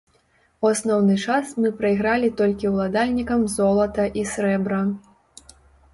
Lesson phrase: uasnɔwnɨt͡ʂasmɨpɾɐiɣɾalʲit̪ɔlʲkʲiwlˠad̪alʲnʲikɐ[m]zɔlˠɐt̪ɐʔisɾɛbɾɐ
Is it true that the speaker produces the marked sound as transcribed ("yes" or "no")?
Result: yes